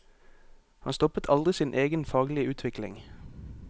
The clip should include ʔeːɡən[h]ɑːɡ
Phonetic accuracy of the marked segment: incorrect: f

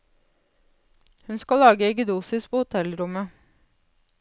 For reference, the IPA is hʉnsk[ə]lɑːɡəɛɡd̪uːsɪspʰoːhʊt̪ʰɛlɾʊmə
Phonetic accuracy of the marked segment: incorrect: ɑ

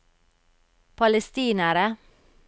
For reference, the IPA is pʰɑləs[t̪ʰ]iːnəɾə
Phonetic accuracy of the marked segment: incorrect: t̪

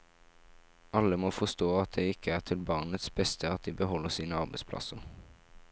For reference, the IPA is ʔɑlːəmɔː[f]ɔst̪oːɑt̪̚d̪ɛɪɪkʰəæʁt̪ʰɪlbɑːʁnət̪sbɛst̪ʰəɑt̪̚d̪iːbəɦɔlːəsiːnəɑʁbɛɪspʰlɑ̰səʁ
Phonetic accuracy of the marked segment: correct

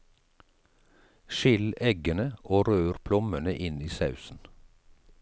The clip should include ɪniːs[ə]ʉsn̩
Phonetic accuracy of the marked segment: incorrect: ɑ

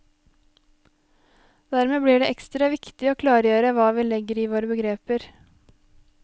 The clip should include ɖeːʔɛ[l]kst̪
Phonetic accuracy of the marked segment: incorrect: none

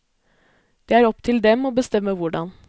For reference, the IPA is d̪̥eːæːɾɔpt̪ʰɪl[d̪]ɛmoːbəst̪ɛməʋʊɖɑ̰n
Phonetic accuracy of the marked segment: correct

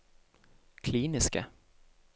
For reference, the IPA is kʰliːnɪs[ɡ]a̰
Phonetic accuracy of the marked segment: incorrect: k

